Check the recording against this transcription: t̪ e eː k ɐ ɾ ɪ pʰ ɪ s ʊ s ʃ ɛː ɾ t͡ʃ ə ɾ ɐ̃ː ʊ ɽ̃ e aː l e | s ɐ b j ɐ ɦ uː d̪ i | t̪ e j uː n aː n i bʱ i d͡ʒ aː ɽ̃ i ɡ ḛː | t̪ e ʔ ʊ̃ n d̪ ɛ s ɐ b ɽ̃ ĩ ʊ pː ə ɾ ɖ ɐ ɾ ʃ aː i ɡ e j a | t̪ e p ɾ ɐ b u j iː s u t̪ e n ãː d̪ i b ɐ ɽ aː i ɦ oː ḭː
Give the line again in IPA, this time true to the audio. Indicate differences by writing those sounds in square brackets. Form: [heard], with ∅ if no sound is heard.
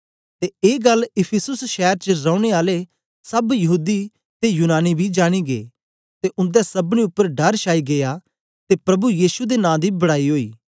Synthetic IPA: t̪ e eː [ɡ] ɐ [l] ɪ pʰ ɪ s ʊ s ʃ ɛː ɾ t͡ʃ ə ɾ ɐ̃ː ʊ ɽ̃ e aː l e | s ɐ b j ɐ ɦ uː d̪ i | t̪ e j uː n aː n i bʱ i d͡ʒ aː ɽ̃ i ɡ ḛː | t̪ e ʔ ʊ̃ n d̪ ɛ s ɐ b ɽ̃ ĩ ʊ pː ə ɾ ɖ ɐ ɾ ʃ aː i ɡ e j a | t̪ e p ɾ ɐ b u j iː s u [d̪] e n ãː d̪ i b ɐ ɽ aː i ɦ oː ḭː